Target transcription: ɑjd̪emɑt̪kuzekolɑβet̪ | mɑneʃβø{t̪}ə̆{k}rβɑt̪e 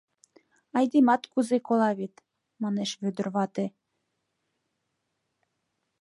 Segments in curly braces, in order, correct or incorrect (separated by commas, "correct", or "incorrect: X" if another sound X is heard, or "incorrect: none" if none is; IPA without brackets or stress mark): incorrect: d̪, incorrect: none